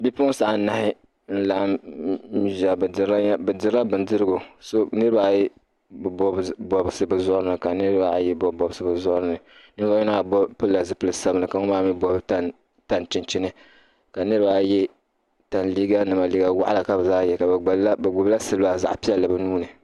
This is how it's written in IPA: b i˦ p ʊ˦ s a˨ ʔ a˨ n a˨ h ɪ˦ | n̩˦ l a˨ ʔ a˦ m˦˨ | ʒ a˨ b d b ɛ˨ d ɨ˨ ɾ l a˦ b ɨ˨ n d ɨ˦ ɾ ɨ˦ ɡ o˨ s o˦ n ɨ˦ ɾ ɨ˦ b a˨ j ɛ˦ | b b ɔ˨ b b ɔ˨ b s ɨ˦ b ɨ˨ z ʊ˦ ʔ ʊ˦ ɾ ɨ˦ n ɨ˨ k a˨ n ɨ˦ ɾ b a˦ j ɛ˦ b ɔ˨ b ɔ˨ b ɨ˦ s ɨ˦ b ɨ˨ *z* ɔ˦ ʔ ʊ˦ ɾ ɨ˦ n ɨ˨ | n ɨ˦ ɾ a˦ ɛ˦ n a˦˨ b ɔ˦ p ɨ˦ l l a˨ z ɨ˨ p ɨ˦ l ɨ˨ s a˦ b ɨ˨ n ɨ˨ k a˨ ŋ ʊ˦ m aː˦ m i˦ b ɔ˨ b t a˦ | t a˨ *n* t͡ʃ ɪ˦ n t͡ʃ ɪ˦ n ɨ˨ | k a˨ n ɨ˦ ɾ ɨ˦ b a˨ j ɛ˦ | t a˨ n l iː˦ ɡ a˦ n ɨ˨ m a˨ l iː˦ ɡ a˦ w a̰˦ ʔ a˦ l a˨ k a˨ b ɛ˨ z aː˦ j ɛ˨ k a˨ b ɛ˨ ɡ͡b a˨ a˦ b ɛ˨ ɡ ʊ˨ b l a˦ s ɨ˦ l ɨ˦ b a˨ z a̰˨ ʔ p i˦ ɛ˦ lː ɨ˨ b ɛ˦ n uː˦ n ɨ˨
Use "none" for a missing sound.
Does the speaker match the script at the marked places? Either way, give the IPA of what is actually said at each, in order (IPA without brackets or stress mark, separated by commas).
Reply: z, n